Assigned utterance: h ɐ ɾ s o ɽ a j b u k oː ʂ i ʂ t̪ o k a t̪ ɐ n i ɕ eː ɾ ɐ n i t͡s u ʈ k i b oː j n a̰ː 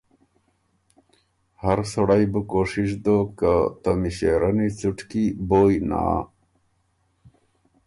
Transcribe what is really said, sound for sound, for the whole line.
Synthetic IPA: h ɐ ɾ s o ɽ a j b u k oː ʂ i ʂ d̪ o k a t̪ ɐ m i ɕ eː ɾ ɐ n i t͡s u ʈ k i b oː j n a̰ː